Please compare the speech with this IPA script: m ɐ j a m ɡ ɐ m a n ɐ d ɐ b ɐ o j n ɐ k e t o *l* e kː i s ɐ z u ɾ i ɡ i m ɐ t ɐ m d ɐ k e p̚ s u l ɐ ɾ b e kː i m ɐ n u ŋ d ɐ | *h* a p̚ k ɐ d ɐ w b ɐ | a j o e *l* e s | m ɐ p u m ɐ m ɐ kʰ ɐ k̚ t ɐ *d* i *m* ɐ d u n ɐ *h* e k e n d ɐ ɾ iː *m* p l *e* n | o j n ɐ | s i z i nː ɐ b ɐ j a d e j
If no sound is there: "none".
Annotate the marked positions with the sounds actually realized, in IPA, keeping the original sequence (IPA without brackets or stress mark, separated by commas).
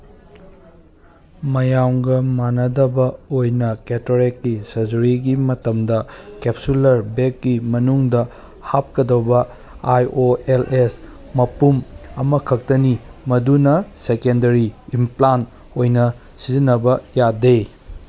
ɾ, h, l, n, m, s, m, a